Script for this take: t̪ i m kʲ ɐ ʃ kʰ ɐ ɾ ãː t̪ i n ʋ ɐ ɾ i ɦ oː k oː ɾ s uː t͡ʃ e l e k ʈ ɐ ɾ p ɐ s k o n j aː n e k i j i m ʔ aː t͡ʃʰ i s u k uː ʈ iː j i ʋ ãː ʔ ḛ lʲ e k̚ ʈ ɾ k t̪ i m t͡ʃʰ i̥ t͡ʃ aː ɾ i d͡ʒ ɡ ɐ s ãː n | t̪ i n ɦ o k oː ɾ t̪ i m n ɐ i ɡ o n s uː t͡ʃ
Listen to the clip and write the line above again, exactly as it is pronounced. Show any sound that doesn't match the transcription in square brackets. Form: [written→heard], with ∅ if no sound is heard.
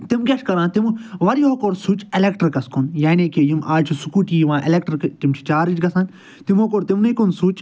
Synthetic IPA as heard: t̪ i m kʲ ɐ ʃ [kʰ→k] ɐ ɾ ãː t̪ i [n→m] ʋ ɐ ɾ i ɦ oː k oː ɾ s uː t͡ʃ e l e k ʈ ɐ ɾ [p→k] ɐ s k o n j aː n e k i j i m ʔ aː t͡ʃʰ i s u k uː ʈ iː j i ʋ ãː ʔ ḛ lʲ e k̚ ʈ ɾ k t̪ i m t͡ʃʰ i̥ t͡ʃ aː ɾ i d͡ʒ ɡ ɐ s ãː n | t̪ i [n→m] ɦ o k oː ɾ t̪ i m n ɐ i [ɡ→k] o n s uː t͡ʃ